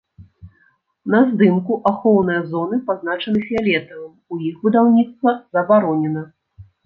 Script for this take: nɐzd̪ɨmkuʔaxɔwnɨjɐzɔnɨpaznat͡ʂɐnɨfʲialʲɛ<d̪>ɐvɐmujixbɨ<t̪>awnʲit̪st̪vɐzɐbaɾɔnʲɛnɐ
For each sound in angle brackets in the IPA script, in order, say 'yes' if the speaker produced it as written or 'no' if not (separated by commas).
no, no